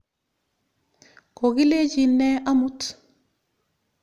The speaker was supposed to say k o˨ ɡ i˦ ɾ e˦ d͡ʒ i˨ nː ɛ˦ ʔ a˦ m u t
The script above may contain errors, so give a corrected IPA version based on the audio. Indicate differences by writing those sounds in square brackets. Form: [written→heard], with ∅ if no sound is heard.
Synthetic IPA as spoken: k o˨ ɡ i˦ [ɾ→l] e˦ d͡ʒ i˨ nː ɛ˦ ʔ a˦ m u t